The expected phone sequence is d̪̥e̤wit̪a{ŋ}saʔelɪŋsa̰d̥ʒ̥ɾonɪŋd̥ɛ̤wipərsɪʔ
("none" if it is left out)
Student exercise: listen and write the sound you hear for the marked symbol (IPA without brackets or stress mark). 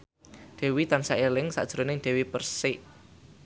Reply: n